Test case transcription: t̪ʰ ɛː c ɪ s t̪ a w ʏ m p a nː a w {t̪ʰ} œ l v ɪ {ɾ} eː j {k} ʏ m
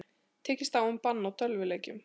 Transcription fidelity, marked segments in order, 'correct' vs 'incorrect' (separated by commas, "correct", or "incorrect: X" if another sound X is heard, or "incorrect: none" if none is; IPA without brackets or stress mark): correct, incorrect: l, incorrect: c